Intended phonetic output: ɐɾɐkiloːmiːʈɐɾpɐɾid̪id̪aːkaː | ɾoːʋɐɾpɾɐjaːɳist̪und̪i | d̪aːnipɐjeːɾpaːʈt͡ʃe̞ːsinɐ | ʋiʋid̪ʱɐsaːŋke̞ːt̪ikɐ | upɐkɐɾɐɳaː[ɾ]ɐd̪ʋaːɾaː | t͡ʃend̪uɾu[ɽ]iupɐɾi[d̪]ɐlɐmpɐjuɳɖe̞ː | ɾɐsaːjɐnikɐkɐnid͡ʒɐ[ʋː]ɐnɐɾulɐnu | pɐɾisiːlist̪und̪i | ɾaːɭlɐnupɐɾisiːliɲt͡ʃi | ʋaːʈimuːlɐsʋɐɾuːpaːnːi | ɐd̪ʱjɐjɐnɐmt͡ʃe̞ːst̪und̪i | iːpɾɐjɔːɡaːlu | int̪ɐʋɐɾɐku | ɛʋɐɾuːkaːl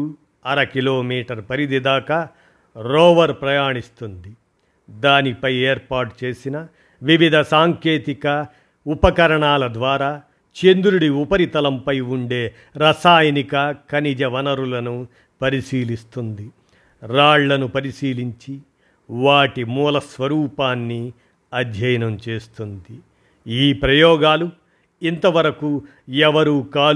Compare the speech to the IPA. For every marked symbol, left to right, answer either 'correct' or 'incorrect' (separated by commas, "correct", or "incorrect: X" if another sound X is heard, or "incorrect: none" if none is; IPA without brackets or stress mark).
incorrect: l, correct, incorrect: t̪, incorrect: ʋ